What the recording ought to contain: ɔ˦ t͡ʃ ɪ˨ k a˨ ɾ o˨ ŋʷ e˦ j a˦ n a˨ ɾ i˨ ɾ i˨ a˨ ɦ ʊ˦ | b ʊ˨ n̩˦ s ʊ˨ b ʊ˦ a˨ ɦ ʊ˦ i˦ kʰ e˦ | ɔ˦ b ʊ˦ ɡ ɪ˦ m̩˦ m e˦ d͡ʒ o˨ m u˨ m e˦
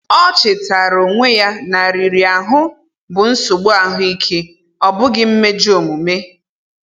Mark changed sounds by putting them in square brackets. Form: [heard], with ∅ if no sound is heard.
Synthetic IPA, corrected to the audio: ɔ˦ t͡ʃ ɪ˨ [t] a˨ ɾ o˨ ŋʷ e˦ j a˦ n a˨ ɾ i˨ ɾ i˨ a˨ ɦ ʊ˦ | b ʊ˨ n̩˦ s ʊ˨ [ɡ͡b] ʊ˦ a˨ ɦ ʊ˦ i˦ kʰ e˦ | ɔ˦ b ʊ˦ ɡ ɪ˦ m̩˦ m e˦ d͡ʒ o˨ m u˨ m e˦